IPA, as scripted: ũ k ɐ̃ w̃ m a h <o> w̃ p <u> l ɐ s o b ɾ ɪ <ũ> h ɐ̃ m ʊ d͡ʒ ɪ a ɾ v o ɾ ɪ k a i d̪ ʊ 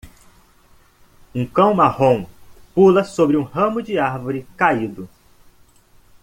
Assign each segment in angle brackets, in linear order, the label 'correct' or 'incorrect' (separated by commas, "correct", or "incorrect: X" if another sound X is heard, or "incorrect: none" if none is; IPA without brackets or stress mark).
incorrect: õ, correct, correct